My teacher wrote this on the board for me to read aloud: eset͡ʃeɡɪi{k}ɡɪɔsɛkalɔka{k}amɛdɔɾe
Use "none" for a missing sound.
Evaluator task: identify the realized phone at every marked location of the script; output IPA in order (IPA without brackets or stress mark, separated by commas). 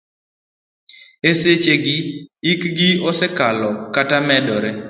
k, t